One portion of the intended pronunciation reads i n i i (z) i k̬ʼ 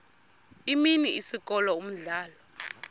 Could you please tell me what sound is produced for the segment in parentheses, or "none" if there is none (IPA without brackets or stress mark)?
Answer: s